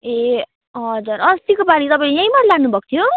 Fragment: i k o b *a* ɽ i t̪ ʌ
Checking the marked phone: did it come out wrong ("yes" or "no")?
no